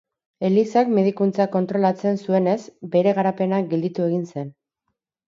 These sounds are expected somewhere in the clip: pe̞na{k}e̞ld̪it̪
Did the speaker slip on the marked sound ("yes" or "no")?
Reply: yes